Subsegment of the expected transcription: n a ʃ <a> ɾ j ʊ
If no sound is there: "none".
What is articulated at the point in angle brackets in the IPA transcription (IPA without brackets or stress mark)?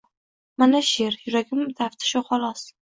e